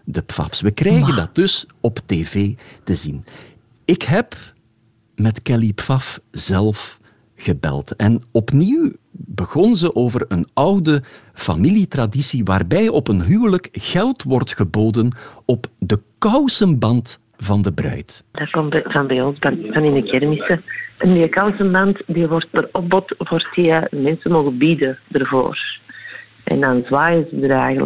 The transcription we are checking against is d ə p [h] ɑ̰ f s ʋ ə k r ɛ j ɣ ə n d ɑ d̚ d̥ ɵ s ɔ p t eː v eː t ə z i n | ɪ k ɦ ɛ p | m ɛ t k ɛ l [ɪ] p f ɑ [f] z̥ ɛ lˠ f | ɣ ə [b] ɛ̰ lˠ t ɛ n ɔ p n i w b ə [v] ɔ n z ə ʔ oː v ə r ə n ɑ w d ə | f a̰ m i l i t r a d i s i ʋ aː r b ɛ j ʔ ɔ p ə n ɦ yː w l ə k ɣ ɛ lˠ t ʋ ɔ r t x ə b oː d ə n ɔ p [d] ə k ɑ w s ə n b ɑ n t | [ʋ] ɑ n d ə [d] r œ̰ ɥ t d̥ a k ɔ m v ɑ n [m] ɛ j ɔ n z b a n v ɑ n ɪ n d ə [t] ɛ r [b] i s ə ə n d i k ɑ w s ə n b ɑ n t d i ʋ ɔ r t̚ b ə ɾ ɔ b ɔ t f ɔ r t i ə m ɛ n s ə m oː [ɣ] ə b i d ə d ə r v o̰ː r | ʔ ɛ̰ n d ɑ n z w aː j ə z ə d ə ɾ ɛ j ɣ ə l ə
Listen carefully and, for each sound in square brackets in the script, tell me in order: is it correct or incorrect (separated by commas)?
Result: incorrect, incorrect, correct, correct, incorrect, correct, incorrect, incorrect, incorrect, incorrect, incorrect, correct